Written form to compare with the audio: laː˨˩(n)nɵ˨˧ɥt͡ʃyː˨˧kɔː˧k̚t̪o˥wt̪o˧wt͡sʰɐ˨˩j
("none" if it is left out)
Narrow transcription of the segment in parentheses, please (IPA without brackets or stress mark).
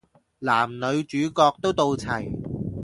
m